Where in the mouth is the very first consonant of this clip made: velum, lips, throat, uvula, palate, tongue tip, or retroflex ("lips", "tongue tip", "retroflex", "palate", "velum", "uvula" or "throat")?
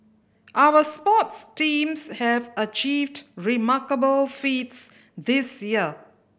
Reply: throat